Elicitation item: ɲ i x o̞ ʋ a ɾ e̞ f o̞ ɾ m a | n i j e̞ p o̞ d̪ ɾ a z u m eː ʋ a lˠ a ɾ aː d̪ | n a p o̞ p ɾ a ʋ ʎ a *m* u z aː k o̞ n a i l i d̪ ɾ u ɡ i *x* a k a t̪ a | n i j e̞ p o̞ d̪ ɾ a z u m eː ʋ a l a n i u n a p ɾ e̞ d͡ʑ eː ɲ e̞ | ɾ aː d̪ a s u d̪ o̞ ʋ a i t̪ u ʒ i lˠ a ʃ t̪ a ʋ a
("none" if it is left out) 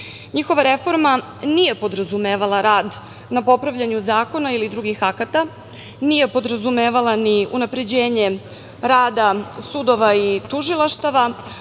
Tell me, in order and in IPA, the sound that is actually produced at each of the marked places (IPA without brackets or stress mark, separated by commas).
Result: ɲ, x